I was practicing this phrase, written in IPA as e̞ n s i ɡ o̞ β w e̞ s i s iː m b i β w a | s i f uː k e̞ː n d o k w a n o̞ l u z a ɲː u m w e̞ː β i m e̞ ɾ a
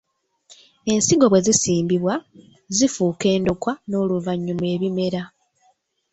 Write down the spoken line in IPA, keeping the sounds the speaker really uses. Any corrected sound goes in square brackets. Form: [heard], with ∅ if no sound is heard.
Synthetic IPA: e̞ n s i ɡ o̞ β w e̞ [z] i s iː m b i β w a | [z] i f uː k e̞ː n d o k w a n o̞ l u [v] a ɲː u m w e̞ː β i m e̞ ɾ a